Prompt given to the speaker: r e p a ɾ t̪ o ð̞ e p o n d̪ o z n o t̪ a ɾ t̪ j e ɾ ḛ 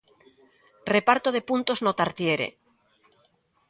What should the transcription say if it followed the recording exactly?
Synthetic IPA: r e p a ɾ t̪ o ð̞ e p u n t̪ o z n o t̪ a ɾ t̪ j e ɾ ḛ